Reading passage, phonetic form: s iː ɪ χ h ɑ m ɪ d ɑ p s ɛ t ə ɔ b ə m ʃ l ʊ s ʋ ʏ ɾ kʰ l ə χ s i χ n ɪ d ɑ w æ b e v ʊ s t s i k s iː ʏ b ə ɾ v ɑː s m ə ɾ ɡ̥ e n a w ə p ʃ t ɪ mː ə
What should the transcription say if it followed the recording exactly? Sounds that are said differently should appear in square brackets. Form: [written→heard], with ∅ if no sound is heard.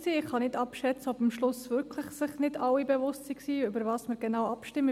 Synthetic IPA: s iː ɪ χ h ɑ [m→n] ɪ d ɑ p [s→ʃ] ɛ [t→t͡s] ə ɔ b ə m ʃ l ʊ s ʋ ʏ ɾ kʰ l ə χ s [i→ɪ] χ n ɪ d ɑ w [æ→i] b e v ʊ s t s i k s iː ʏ b ə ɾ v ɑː s m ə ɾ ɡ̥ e n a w [ə→ɑ] p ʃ t ɪ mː ə